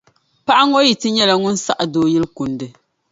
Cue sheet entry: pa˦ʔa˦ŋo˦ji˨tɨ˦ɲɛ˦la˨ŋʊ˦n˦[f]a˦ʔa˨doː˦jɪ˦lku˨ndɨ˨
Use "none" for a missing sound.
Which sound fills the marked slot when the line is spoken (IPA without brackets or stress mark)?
s